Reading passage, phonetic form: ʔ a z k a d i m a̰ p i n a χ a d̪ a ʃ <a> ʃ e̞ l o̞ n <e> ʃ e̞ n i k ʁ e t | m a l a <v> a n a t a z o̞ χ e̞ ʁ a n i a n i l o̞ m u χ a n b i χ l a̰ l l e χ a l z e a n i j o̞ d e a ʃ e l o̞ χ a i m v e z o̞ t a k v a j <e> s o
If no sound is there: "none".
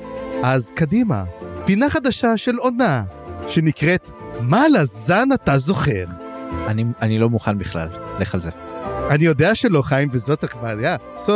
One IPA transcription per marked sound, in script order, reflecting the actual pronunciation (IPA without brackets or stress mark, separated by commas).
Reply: a, a, z, a